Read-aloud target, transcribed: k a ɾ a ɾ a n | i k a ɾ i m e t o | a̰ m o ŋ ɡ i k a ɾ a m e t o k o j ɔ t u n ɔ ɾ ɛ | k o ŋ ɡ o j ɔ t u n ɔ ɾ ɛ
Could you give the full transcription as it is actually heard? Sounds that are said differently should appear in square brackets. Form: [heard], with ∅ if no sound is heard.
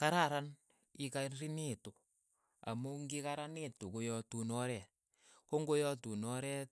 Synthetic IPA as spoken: k a ɾ a ɾ a n | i k a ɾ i [n] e t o | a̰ m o ŋ ɡ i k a ɾ a [n] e t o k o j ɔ t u n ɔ ɾ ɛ | k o ŋ ɡ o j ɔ t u n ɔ ɾ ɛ